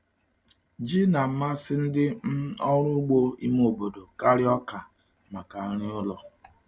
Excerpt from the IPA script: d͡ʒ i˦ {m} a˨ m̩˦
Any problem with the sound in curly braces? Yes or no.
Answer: yes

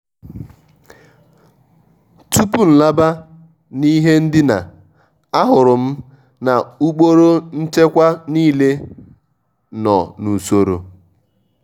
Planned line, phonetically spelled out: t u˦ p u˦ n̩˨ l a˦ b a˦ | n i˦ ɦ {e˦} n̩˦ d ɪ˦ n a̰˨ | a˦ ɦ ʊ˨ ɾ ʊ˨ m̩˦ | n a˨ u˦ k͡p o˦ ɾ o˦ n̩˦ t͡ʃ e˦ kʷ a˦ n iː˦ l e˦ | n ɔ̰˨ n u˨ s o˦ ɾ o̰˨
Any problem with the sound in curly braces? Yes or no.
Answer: no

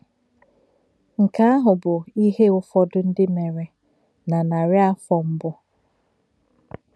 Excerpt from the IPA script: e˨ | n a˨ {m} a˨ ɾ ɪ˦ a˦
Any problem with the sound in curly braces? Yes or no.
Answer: yes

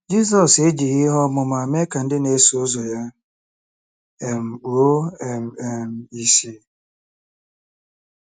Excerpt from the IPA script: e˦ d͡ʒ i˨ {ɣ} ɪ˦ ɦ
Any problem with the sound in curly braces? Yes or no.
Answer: no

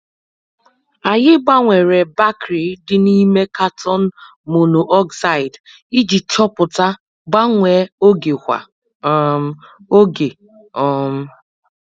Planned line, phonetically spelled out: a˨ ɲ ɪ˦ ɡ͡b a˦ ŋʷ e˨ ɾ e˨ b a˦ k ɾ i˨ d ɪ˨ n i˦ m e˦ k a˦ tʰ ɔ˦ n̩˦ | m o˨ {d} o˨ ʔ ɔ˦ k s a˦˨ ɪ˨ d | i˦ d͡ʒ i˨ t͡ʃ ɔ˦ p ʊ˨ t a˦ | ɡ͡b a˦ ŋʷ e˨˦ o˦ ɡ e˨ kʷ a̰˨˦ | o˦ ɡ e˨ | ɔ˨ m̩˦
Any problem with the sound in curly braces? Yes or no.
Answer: yes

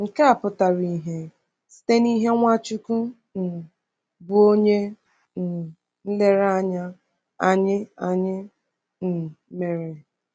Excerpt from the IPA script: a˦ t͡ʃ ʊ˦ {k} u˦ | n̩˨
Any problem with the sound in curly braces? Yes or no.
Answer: no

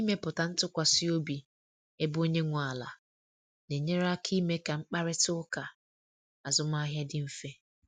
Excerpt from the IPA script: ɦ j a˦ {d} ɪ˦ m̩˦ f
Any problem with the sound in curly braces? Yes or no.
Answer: no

